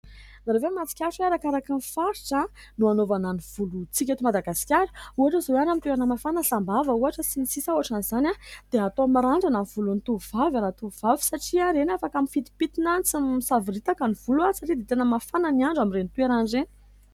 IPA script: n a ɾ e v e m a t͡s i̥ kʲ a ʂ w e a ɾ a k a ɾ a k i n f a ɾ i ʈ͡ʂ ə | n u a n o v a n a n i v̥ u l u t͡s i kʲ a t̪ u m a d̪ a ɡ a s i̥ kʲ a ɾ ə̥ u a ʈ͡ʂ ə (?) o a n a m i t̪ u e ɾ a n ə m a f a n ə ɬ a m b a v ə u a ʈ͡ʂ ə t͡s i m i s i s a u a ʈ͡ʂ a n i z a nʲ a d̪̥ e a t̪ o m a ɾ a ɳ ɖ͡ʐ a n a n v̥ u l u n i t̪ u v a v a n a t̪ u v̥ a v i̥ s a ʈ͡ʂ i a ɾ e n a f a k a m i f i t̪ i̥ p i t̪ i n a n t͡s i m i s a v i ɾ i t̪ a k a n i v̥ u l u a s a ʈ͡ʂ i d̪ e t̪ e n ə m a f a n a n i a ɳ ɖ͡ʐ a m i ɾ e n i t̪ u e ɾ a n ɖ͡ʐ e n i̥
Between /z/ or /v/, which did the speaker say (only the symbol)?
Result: z